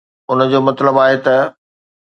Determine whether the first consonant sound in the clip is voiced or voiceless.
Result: voiced